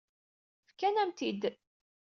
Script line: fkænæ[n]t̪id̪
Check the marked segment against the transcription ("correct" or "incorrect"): incorrect